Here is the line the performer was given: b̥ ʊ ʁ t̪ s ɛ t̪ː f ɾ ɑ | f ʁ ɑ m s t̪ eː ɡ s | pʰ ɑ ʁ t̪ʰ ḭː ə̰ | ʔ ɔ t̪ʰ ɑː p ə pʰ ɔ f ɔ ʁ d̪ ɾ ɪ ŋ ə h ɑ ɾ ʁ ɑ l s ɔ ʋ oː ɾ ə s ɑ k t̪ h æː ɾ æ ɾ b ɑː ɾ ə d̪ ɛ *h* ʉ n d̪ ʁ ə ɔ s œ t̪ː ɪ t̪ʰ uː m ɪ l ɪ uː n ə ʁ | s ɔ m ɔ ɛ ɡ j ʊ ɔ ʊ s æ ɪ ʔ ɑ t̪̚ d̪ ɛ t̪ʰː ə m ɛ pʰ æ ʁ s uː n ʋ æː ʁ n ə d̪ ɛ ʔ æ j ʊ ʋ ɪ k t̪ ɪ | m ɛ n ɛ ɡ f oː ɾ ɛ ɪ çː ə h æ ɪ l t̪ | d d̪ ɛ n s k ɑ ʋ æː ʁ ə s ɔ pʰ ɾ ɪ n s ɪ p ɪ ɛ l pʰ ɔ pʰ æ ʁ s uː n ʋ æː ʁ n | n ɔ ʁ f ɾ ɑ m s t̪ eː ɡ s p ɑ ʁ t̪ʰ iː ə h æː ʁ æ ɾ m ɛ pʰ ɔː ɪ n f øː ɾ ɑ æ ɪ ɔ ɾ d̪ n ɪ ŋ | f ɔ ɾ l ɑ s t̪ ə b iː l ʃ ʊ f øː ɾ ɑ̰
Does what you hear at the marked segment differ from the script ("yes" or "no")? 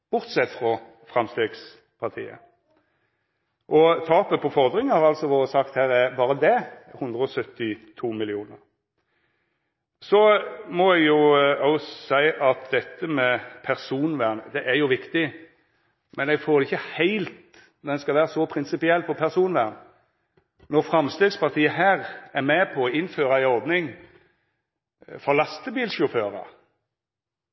no